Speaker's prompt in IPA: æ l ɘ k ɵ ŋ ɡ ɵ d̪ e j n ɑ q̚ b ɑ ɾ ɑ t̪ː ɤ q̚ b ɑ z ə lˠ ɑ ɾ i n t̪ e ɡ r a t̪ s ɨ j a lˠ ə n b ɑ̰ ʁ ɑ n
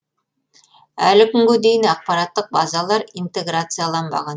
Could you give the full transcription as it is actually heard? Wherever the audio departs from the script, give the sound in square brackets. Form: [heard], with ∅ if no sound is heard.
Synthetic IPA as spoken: æ l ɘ k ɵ ŋ ɡ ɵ d̪ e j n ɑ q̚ [p] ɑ ɾ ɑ t̪ː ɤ q̚ b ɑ z [ɑ] lˠ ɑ ɾ i n t̪ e ɡ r a t̪ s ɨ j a lˠ [ɑ] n b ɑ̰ ʁ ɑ n